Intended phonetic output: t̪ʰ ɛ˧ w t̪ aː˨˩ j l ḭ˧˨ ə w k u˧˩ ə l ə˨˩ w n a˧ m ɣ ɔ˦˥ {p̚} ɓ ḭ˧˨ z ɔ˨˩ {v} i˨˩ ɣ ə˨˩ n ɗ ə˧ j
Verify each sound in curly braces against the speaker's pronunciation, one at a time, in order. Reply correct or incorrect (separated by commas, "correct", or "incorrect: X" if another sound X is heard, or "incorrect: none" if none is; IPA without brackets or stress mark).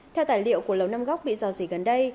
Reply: incorrect: k͡p̚, incorrect: z